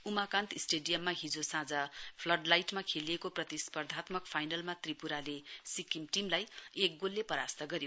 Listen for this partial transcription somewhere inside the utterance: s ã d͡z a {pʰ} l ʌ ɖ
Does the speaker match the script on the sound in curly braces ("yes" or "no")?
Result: yes